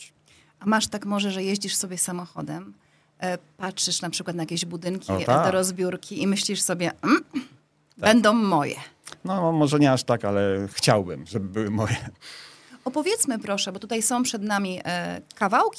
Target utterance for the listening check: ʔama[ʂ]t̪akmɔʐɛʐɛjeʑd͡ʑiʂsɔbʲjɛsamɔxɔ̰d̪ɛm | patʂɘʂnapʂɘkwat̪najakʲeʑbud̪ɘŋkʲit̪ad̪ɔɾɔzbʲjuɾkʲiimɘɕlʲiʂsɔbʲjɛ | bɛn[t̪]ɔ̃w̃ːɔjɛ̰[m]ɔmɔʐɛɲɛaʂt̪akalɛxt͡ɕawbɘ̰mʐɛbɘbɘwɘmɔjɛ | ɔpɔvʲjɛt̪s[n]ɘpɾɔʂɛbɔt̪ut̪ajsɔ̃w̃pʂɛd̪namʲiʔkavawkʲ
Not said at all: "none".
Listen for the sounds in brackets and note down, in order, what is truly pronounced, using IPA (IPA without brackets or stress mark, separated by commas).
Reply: ʂ, d̪, n, m